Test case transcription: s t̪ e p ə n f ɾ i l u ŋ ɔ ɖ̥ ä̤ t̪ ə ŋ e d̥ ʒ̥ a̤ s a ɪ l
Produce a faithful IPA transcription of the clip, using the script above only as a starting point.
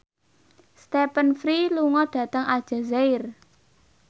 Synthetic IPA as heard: s t̪ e p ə n f ɾ i l u ŋ ɔ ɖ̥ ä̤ t̪ ə ŋ a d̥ ʒ̥ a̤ z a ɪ r